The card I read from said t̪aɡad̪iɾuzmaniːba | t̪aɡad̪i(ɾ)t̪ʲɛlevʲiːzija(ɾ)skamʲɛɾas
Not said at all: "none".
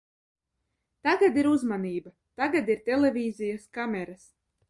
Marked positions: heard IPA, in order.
ɾ, none

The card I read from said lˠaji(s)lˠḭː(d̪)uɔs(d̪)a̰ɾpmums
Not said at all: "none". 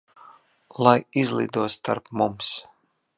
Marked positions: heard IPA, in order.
z, d̪, t̪

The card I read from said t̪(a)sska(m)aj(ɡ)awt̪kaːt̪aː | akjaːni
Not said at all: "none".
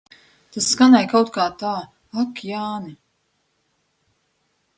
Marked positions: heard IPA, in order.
a, n, k

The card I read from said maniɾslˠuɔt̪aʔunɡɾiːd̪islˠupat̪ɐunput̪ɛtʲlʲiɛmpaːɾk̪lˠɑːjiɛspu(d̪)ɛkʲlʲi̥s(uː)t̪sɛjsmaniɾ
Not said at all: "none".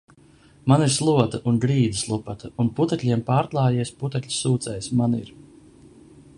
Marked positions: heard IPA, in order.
t̪, uː

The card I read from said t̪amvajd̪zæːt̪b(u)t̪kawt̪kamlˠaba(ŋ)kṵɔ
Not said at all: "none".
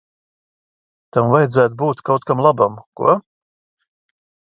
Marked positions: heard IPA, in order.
uː, m

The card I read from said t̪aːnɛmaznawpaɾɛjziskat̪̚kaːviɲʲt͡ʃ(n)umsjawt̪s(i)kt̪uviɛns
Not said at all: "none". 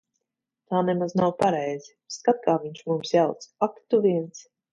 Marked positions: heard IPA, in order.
m, a

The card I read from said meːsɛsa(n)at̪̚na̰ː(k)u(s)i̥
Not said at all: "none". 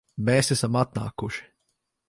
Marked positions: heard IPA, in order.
m, k, ʃ

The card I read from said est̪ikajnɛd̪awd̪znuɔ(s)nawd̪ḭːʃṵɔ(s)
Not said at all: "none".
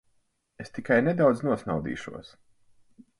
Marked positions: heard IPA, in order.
s, s

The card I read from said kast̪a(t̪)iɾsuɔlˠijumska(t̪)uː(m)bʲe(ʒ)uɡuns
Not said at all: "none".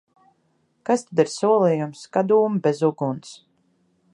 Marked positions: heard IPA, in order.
d̪, d̪, m, z

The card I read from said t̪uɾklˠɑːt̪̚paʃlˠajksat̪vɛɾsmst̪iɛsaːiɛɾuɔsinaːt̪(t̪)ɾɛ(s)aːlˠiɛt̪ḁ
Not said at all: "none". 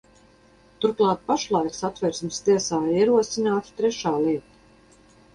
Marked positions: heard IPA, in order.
t̪, ʃ

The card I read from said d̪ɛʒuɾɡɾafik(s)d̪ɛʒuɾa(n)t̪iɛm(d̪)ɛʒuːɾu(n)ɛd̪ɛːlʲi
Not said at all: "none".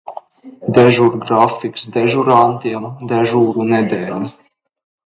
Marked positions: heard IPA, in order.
s, n, d̪, n

